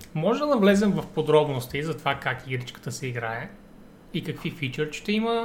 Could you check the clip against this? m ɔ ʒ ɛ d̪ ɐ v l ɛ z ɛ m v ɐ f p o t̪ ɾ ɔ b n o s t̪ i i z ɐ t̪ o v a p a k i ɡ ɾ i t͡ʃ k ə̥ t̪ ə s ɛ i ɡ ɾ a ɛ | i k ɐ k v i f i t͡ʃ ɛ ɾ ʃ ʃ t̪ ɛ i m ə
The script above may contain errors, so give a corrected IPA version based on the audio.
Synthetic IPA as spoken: m ɔ ʒ ɛ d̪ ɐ v l ɛ z ɛ m v ɐ f p o d̪ ɾ ɔ b n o s t̪ i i z ɐ t̪ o v a k a k i ɡ ɾ i t͡ʃ k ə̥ t̪ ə s ɛ i ɡ ɾ a ɛ | i k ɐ k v i f i t͡ʃ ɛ ɾ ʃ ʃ t̪ ɛ i m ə